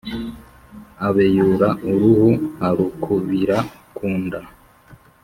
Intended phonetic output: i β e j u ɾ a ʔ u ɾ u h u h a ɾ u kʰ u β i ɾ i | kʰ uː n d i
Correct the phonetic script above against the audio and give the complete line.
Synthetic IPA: a β e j u ɾ a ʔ u ɾ u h u h a ɾ u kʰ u β i ɾ a | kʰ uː n d a